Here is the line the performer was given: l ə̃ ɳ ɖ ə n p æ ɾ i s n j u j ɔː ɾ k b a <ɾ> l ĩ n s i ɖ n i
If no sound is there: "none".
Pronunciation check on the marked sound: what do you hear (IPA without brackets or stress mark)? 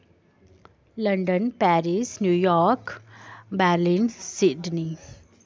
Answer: ɾ